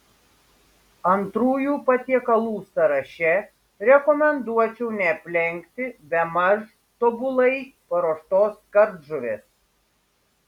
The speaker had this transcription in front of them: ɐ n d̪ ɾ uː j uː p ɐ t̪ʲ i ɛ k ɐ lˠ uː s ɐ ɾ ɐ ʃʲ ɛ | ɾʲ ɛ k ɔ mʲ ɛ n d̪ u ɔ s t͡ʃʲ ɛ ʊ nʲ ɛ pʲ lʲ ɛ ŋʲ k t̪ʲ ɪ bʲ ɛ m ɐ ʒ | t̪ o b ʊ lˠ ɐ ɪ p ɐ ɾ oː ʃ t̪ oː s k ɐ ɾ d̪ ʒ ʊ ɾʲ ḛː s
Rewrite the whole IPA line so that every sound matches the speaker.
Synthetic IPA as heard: ɐ n t̪ ɾ uː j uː p ɐ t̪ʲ i ɛ k ɐ lˠ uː s ɐ ɾ ɐ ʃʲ ɛ | ɾʲ ɛ k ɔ mʲ ɛ n d̪ u ɔ t͡ʃʲ ɛ ʊ nʲ ɛ pʲ lʲ ɛ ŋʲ k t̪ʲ ɪ bʲ ɛ m ɐ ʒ | t̪ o b ʊ lˠ ɐ ɪ p ɐ ɾ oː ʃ t̪ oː s k ɐ ɾ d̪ ʒ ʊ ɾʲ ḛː s